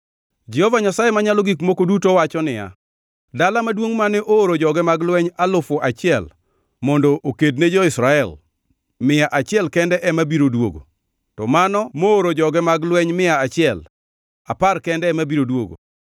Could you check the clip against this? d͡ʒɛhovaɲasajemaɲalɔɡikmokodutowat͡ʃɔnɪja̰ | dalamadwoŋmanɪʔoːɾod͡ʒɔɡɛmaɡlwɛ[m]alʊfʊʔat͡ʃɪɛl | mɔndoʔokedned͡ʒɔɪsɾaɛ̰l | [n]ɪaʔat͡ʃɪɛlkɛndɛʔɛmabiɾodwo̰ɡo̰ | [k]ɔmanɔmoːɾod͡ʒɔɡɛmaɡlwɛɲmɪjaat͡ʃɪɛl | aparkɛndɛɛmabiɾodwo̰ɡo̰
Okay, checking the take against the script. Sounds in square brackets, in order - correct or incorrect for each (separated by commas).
incorrect, incorrect, incorrect